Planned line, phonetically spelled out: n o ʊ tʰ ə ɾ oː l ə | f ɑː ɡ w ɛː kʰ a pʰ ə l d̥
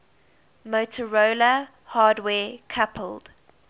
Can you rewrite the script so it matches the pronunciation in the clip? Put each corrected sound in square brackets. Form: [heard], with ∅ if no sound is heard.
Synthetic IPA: [m] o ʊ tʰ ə [ɹ] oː l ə | [h] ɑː [d] w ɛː kʰ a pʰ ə l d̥